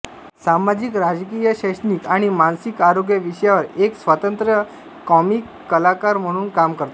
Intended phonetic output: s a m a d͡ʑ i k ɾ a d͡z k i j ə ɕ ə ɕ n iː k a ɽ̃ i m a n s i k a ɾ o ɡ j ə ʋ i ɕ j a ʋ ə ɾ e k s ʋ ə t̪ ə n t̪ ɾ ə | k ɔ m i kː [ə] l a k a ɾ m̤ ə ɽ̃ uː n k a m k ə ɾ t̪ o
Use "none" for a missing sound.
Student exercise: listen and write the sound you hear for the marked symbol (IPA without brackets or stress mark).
ə